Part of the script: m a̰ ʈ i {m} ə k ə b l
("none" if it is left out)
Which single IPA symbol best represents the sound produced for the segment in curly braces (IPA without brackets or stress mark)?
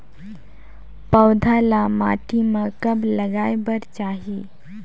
m